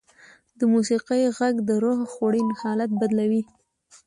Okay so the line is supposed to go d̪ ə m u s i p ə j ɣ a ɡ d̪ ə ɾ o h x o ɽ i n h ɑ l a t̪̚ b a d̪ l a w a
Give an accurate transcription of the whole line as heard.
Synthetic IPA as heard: d̪ ə m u s i q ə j ɣ a ɡ d̪ ə ɾ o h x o ɽ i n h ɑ l a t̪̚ b a d̪ l a w i